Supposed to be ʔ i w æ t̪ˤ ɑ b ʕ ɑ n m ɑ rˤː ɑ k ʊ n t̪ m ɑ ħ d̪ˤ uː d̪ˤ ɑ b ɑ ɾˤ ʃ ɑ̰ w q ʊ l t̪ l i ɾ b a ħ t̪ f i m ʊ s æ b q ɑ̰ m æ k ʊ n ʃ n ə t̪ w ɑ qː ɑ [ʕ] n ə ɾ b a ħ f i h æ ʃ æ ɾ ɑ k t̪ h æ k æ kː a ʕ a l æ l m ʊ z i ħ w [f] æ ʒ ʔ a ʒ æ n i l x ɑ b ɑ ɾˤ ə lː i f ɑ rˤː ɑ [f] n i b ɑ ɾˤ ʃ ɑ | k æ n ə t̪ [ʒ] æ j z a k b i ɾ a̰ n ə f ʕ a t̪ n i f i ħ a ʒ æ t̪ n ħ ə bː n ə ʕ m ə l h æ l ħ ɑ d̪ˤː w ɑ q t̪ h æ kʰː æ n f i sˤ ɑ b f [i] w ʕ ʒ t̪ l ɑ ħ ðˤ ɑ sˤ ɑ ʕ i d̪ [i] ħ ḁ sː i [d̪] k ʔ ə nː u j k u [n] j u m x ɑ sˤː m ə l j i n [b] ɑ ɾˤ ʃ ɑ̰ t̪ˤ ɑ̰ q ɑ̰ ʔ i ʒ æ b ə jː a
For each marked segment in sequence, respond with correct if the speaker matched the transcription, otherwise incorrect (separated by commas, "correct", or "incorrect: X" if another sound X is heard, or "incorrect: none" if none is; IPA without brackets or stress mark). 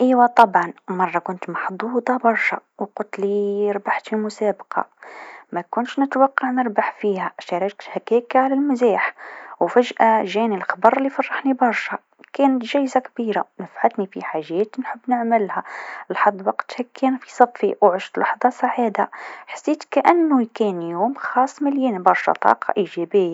correct, correct, incorrect: ħ, correct, correct, incorrect: a, incorrect: t̪, correct, correct